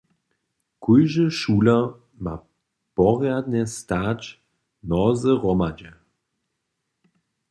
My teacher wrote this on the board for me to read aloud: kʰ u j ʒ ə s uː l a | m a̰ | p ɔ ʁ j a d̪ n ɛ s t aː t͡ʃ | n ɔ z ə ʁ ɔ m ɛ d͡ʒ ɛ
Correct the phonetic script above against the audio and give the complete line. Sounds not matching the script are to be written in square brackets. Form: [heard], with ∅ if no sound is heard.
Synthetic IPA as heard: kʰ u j ʒ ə [ʃ] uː l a | m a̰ | p ɔ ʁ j a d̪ n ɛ s t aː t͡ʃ | n ɔ z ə ʁ ɔ m [a] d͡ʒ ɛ